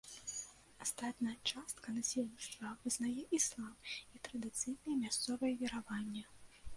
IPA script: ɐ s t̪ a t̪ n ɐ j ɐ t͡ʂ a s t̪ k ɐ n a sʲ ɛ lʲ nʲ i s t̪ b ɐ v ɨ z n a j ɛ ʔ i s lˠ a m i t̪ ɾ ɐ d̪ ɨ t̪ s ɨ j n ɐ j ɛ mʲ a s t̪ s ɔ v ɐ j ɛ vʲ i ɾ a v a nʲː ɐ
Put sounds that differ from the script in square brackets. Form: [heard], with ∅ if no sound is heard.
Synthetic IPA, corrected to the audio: [a] s t̪ a t̪ n ɐ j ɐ t͡ʂ a s t̪ k ɐ n a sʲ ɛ lʲ nʲ i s t̪ [v] ɐ v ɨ z n a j ɛ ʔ i s lˠ a m i t̪ ɾ ɐ d̪ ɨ t̪ s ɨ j n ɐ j ɛ mʲ a s t̪ s ɔ v ɐ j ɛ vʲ i ɾ a v a nʲː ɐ